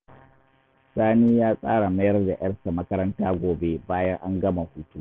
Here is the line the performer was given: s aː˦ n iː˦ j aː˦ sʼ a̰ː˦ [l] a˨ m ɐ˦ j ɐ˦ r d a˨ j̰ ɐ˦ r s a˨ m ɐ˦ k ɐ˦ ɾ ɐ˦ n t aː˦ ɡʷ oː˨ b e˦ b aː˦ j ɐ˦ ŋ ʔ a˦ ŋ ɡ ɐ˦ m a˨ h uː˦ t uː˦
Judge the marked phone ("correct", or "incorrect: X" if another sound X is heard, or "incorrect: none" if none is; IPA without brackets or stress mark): incorrect: ɽ